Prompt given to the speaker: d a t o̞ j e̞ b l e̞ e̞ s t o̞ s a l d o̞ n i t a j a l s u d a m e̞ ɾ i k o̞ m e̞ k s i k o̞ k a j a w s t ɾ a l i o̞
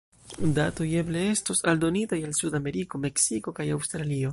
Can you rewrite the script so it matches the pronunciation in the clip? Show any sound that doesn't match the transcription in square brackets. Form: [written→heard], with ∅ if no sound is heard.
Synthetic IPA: d a t o̞ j e̞ b l e̞ e̞ s t o̞ s a l d o̞ n i t a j a l s u d a m e̞ ɾ i k o̞ m e̞ k s i k o̞ k a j a w s t ɾ a l i o̞